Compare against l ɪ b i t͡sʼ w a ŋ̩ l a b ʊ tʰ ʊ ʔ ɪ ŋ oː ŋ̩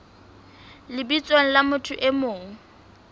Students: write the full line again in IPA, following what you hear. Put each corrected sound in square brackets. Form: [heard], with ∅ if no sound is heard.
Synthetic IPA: l ɪ b i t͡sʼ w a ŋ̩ l a [m] ʊ tʰ ʊ ʔ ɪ [m] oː ŋ̩